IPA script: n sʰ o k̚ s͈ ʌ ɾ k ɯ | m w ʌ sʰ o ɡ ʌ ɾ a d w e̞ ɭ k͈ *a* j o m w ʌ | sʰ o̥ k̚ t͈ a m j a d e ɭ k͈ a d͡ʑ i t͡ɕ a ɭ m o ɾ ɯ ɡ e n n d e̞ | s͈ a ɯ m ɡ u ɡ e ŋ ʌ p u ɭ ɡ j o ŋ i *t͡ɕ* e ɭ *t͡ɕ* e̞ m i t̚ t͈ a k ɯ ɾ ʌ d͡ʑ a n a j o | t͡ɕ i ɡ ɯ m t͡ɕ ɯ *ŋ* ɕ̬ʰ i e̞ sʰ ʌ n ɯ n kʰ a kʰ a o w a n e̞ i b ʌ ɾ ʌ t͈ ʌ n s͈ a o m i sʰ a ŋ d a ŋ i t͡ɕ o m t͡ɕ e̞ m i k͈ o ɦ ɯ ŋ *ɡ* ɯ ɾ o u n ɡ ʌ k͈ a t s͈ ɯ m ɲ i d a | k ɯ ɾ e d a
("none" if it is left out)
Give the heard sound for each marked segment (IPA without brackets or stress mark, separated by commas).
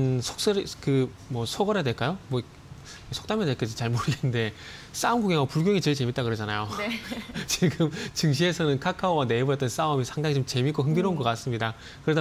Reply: a, t͡ɕ, t͡ɕ, ŋ, d